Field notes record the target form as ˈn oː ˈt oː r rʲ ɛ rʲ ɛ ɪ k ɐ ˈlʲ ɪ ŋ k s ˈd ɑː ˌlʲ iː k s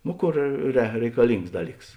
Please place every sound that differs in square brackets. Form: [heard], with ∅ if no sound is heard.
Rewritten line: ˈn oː [ˈk] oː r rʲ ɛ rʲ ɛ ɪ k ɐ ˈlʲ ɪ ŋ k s ˈd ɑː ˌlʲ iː k s